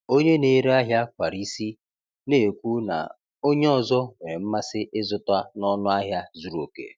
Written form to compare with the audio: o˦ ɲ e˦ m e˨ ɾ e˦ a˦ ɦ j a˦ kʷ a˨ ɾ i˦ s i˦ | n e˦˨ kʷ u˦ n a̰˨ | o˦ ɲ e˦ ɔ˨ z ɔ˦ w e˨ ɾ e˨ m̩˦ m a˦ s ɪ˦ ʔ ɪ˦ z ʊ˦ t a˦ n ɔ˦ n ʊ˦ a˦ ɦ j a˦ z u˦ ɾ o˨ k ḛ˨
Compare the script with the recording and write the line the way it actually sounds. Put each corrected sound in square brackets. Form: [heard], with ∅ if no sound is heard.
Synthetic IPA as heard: o˦ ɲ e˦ [n] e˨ ɾ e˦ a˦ ɦ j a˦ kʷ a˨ ɾ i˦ s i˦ | n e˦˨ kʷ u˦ n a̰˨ | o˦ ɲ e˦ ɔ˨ z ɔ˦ w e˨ ɾ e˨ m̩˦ m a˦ s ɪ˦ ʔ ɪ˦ z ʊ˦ t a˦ n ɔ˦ n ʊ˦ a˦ ɦ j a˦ z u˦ ɾ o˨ k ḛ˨